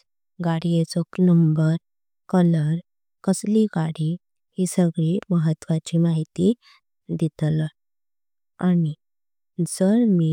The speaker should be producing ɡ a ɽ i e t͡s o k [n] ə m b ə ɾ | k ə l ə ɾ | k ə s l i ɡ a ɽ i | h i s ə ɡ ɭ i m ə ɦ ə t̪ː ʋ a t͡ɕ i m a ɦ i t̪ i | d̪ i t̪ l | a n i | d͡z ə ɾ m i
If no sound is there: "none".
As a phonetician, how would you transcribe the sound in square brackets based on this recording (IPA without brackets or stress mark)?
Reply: n